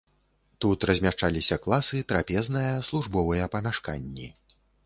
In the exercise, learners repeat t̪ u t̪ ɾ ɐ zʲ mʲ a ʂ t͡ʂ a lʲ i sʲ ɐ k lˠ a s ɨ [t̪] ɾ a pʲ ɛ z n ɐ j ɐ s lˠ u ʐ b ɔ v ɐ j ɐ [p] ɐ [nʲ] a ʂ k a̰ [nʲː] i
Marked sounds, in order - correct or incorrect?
correct, correct, incorrect: mʲ, correct

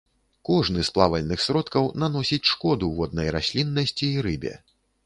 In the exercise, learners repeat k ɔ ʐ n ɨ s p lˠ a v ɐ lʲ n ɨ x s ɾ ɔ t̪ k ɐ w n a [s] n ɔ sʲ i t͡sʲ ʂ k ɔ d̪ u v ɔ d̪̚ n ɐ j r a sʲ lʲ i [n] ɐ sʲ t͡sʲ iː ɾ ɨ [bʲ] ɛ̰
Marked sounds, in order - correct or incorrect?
incorrect: none, incorrect: nː, correct

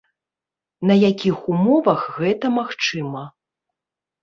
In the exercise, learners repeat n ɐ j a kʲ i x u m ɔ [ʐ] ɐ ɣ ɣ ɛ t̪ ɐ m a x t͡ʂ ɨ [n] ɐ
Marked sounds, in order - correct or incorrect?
incorrect: v, incorrect: m

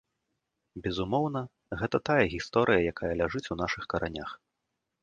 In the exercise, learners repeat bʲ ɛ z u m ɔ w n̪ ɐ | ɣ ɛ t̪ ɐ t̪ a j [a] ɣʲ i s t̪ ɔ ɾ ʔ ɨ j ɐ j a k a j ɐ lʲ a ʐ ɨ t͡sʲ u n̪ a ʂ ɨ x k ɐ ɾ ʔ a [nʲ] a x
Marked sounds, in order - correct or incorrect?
incorrect: ɐ, correct

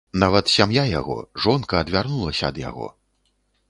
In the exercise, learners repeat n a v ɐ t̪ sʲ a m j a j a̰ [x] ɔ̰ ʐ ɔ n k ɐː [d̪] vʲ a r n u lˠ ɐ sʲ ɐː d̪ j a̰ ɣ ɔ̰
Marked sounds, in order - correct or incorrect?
incorrect: ɣ, correct

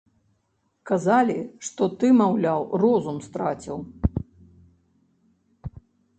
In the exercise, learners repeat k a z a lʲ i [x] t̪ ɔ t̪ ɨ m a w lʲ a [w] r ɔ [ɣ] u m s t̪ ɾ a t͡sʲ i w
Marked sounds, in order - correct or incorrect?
incorrect: ʂ, correct, incorrect: z

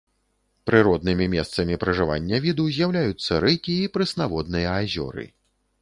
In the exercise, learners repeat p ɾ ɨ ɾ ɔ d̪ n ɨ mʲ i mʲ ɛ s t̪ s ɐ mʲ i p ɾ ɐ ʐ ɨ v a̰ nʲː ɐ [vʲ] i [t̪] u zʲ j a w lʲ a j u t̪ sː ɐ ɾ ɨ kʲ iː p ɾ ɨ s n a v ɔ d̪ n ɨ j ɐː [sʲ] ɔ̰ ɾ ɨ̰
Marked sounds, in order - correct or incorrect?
correct, incorrect: d̪, incorrect: zʲ

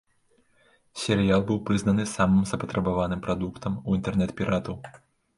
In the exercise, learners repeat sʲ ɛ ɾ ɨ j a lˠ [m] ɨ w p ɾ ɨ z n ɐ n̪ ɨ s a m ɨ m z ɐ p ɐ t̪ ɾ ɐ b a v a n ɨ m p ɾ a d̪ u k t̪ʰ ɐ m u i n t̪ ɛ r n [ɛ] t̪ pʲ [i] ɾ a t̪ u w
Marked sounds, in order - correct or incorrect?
incorrect: b, correct, correct

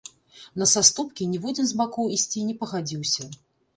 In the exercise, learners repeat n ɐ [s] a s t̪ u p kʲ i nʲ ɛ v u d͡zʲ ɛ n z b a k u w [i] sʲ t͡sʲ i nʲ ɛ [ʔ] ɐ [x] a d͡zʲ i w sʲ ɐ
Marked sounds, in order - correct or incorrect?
correct, correct, incorrect: p, incorrect: ɣ

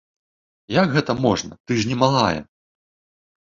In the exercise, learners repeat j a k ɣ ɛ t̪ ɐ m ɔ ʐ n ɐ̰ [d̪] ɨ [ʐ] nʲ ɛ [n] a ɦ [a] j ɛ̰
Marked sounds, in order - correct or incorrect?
incorrect: t̪, correct, incorrect: m, correct

